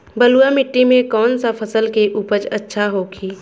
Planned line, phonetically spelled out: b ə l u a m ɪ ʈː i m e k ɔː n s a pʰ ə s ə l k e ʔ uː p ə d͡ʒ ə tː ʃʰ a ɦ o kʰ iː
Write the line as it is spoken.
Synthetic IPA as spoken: b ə l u a m ɪ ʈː i m ẽ k ɔː n s a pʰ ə s ə l k e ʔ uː p ə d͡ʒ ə tː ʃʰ a ɦ o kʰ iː